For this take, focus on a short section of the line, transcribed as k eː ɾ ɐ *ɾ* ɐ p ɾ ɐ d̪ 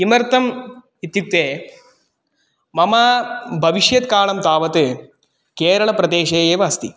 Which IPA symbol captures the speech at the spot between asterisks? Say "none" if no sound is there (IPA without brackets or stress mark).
ɭ